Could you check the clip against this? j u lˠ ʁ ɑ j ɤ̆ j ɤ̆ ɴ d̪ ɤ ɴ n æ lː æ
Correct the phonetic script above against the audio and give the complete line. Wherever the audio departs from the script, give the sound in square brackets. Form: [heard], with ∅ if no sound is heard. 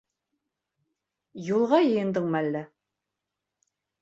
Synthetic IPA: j u lˠ ʁ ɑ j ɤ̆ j ɤ̆ [n] d̪ ɤ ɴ [m] æ lː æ